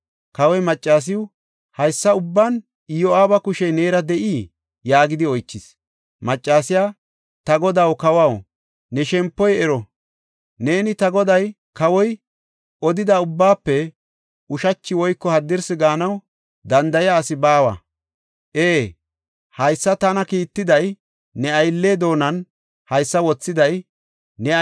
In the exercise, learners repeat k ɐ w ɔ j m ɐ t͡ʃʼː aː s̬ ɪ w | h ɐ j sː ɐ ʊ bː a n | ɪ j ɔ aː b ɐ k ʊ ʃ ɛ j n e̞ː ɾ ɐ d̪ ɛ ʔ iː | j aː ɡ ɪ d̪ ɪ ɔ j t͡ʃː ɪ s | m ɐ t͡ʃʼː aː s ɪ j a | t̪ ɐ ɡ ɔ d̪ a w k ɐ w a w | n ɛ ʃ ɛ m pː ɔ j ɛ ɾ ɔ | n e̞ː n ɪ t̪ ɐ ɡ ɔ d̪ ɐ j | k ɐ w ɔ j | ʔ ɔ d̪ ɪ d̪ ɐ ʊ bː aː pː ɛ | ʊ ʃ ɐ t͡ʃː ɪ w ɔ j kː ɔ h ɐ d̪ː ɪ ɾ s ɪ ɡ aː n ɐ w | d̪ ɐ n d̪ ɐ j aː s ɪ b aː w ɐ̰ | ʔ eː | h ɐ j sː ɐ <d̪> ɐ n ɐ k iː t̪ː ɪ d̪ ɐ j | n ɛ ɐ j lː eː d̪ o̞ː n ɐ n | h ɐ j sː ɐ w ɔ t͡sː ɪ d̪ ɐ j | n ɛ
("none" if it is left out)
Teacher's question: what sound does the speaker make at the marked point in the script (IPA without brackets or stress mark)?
t̪